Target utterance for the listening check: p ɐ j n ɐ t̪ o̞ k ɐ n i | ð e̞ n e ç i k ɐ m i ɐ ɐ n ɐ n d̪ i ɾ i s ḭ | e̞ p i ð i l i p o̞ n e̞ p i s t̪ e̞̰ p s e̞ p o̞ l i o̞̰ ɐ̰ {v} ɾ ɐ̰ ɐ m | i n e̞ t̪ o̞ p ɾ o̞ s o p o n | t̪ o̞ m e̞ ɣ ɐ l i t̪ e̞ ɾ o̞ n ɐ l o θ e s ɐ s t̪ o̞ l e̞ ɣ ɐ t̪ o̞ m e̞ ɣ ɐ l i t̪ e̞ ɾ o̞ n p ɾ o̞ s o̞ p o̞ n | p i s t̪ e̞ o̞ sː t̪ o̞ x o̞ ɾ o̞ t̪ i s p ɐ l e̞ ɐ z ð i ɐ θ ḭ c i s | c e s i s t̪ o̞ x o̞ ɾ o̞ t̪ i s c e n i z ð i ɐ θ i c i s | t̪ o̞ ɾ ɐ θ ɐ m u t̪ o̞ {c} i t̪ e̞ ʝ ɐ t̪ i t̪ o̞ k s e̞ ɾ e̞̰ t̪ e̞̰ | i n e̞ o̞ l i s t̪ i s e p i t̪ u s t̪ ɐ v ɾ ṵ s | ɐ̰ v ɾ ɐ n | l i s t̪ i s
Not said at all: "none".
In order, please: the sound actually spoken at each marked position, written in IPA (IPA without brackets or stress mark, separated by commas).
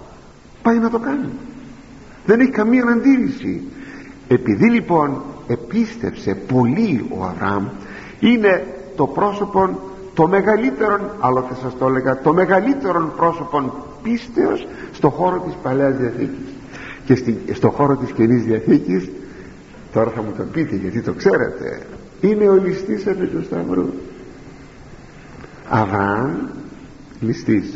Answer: v, p